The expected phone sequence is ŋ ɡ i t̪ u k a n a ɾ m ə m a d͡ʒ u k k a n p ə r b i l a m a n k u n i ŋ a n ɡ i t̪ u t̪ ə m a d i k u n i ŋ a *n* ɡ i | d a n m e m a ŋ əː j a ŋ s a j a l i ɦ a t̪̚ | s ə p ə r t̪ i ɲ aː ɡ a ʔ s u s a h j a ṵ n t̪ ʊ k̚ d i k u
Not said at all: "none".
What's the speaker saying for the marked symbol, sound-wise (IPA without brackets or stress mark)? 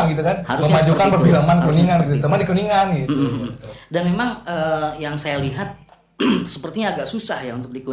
n